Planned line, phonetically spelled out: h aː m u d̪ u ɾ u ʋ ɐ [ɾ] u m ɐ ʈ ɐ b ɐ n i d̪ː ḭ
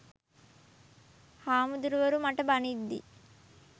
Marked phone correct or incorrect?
correct